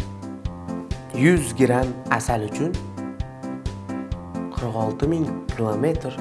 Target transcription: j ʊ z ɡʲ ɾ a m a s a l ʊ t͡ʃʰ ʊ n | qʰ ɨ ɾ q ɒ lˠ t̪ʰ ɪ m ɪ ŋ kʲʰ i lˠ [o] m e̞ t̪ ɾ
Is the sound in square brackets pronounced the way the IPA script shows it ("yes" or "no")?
yes